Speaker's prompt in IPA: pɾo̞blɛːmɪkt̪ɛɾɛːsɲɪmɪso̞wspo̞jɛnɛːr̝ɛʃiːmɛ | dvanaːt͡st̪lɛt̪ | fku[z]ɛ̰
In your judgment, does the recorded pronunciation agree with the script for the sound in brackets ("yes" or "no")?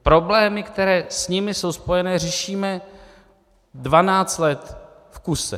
no